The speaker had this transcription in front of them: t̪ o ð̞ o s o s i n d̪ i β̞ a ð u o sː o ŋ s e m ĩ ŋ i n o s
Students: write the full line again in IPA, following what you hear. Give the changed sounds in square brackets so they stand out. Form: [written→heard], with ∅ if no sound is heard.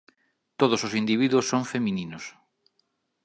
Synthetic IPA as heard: t̪ o ð̞ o s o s i n d̪ i β̞ [a→i] ð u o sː o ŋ [s→f] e m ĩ [ŋ→n] i n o s